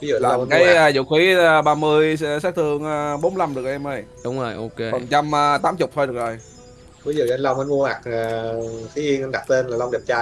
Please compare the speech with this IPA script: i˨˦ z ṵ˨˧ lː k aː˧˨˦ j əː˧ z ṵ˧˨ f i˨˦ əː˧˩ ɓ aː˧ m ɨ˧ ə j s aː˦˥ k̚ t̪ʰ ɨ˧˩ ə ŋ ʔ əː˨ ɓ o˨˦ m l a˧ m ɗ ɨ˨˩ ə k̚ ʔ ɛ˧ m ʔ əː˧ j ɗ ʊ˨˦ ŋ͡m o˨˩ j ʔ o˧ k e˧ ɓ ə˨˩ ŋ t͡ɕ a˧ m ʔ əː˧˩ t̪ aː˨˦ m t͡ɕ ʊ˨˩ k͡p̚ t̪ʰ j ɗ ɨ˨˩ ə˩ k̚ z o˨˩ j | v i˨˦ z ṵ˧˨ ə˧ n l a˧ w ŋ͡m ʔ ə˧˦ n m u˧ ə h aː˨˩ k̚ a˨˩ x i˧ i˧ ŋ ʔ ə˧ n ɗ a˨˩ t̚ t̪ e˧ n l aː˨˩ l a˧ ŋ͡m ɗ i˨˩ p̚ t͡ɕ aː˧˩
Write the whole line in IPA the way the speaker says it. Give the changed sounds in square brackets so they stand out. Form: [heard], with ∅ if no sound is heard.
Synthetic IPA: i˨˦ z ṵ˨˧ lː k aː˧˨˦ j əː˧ z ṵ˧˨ [x] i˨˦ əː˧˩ ɓ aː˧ m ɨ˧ ə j s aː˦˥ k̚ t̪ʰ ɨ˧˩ ə ŋ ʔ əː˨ ɓ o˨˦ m l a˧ m ɗ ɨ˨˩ ə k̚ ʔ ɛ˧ m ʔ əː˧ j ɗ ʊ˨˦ ŋ͡m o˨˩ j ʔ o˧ k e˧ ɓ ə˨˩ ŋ t͡ɕ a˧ m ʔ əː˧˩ t̪ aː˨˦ m t͡ɕ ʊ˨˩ k͡p̚ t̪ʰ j ɗ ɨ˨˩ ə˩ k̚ z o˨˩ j | v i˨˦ z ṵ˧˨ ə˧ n l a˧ w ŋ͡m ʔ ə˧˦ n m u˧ ə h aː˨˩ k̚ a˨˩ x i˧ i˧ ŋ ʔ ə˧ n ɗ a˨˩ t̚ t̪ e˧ n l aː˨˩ l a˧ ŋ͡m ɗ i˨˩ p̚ t͡ɕ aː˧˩